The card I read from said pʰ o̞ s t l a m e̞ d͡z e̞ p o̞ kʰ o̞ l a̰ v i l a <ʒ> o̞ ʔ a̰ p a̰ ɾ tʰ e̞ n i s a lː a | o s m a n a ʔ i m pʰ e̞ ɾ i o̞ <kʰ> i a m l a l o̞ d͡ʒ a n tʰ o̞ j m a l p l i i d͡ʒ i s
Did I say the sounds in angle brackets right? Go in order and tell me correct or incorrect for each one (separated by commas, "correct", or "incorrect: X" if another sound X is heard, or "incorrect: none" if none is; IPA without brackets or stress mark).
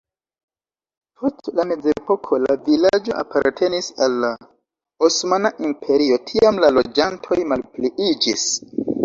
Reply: incorrect: d͡ʒ, incorrect: tʰ